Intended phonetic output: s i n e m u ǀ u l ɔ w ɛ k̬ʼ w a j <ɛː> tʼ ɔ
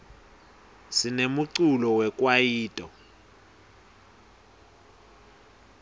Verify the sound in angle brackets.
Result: incorrect: iː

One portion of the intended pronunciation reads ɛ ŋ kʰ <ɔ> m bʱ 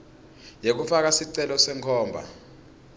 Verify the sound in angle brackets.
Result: incorrect: ɔː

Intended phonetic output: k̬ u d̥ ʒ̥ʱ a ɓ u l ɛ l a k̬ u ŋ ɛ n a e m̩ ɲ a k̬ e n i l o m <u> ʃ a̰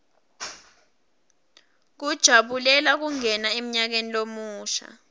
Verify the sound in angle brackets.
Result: incorrect: uː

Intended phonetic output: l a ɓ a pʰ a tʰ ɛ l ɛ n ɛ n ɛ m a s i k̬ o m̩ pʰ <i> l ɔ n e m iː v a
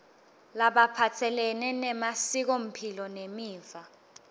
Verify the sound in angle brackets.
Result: correct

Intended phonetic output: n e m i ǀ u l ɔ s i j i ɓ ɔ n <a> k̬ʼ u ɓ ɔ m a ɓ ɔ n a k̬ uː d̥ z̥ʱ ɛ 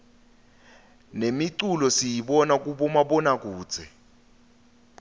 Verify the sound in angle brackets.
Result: correct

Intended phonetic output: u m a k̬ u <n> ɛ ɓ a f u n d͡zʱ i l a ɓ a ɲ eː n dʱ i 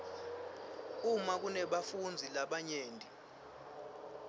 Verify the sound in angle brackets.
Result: correct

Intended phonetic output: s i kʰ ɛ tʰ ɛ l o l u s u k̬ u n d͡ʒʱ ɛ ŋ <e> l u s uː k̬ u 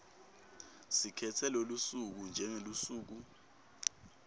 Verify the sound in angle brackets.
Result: correct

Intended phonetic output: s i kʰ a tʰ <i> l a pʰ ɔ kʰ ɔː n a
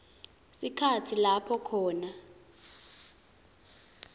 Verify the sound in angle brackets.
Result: correct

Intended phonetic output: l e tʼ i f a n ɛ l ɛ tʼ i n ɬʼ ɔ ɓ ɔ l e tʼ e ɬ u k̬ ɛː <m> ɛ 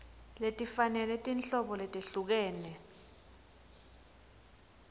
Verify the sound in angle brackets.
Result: incorrect: n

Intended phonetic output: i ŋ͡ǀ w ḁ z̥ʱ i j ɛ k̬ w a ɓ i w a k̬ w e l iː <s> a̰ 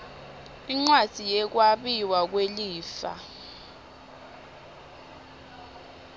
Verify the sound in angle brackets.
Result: incorrect: f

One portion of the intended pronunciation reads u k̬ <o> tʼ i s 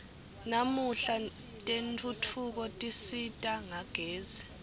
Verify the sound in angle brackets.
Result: incorrect: ɔ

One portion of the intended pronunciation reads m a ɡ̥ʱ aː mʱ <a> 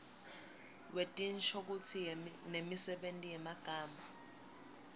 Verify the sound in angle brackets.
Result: correct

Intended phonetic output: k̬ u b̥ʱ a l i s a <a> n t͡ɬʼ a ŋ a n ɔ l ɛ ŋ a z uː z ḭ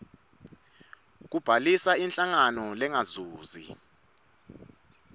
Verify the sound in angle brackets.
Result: incorrect: i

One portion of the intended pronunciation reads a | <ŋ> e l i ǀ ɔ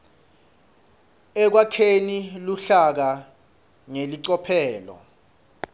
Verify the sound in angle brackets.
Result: correct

